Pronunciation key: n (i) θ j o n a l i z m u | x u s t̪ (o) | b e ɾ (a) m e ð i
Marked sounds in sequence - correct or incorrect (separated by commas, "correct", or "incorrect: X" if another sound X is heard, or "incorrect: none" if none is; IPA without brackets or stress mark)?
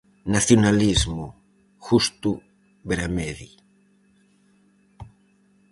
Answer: incorrect: a, incorrect: u, correct